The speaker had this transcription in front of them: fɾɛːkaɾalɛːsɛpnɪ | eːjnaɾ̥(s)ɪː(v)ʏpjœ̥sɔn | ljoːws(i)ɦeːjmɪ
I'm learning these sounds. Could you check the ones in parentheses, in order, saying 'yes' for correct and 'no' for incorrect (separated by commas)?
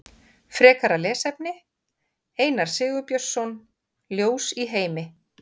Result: yes, no, yes